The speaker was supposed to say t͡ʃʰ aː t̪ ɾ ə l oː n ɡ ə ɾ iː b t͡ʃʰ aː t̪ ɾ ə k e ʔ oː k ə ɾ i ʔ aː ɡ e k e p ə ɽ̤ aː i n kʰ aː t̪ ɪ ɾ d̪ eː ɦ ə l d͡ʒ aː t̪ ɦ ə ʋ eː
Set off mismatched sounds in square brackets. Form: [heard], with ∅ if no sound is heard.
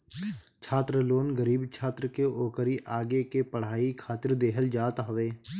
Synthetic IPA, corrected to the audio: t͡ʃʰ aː t̪ ɾ ə l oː n ɡ ə ɾ iː b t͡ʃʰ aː t̪ ɾ ə k e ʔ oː k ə ɾ i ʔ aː ɡ e k e p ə ɽ̤ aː i [∅] kʰ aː t̪ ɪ ɾ d̪ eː ɦ ə l d͡ʒ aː t̪ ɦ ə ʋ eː

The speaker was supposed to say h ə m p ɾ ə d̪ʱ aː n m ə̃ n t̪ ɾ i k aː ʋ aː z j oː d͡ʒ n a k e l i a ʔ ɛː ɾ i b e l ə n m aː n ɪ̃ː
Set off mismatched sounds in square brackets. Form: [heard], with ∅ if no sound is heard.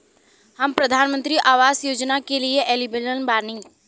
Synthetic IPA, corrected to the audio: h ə m p ɾ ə d̪ʱ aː n m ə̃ n t̪ ɾ i [ʔ] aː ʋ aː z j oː d͡ʒ n a k e l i [e] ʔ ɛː [l] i b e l ə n [b] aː n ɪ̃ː

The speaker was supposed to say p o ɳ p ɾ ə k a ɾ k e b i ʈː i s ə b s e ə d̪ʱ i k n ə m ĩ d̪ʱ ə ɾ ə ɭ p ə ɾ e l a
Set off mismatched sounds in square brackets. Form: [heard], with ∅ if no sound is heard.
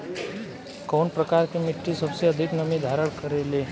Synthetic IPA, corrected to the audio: [k] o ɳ p ɾ ə k a ɾ k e [m] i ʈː i s ə b s e ə d̪ʱ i k n ə m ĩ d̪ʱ [a] ɾ ə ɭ [k] ə ɾ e l [e]

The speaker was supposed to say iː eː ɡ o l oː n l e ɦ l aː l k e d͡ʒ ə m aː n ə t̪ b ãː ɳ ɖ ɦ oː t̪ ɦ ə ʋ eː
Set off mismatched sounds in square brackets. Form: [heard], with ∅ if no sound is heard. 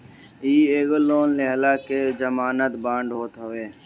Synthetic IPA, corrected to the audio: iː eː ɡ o l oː n l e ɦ l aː [∅] k e d͡ʒ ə m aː n ə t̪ b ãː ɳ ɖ ɦ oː t̪ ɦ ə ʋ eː

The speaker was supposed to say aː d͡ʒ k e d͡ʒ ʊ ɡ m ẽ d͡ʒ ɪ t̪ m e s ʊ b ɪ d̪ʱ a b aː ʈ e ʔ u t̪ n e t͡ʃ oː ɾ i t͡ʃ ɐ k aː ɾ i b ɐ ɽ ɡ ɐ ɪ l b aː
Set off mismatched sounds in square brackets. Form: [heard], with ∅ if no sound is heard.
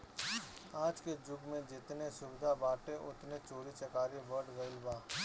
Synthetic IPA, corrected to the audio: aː d͡ʒ k e d͡ʒ ʊ ɡ m ẽ d͡ʒ ɪ t̪ [n] e s ʊ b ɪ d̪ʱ a b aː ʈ e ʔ [ʊ] t̪ n e t͡ʃ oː ɾ i t͡ʃ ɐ k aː ɾ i b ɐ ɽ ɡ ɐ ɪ l b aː

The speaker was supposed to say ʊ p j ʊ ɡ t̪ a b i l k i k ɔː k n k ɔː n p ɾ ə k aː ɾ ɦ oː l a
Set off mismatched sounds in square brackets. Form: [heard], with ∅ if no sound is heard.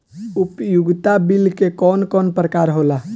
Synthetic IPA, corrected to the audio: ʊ p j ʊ ɡ t̪ a b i l k [e] k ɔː [∅] n k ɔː n p ɾ ə k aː ɾ ɦ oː l a

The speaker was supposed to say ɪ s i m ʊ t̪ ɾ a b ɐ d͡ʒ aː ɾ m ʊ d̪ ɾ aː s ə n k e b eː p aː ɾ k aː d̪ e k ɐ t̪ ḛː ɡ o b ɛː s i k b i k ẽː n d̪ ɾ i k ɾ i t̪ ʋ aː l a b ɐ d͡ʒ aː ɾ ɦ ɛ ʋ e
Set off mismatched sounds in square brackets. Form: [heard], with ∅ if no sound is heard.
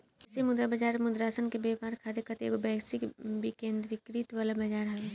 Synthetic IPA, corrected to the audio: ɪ s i m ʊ [d̪] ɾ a b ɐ d͡ʒ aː ɾ m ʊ d̪ ɾ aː s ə n k e b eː p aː ɾ [kʰ] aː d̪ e k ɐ t̪ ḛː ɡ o b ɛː s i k b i k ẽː n d̪ ɾ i k ɾ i t̪ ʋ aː l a b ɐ d͡ʒ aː ɾ ɦ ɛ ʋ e

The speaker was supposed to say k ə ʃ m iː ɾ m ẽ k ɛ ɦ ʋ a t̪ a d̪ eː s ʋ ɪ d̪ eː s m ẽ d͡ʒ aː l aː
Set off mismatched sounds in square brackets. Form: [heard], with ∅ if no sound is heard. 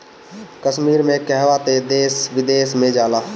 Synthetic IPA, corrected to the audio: k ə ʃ m iː ɾ m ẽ k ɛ ɦ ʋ a t̪ [e] d̪ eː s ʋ ɪ d̪ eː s m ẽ d͡ʒ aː l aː

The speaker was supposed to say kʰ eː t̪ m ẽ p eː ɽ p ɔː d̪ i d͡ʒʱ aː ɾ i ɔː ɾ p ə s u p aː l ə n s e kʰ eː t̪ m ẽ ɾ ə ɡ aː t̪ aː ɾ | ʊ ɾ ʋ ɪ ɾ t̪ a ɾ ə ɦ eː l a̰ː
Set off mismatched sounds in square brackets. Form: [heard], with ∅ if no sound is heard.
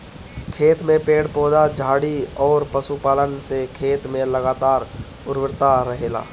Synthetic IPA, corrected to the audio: kʰ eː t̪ m ẽ p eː ɽ p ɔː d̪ [a] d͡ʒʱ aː [ɽ] i ɔː ɾ p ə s u p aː l ə n s e kʰ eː t̪ m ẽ [l] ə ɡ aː t̪ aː ɾ | ʊ ɾ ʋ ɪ ɾ t̪ a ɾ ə ɦ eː l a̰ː

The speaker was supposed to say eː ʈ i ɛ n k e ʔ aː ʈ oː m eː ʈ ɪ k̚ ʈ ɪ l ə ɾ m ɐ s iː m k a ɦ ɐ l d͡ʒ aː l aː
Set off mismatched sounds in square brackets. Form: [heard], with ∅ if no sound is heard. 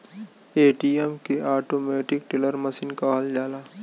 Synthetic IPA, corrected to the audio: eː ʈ i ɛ [m] k e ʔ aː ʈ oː m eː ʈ ɪ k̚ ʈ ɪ l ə ɾ m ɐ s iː [n] k a ɦ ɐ l d͡ʒ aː l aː

